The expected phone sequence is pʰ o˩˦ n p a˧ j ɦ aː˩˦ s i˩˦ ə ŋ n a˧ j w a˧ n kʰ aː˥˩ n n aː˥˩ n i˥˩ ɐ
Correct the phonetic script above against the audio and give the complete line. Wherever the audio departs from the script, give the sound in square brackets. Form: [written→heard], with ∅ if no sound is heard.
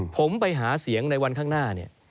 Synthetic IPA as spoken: pʰ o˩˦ [n→m] p a˧ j ɦ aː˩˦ s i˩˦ ə ŋ n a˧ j w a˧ n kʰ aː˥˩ [n→ŋ] n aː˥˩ n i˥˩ ɐ